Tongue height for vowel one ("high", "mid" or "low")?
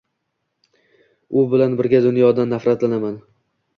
high